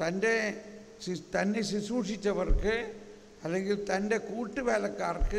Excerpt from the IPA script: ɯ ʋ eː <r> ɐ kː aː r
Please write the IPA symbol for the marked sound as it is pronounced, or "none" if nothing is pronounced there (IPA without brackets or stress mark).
l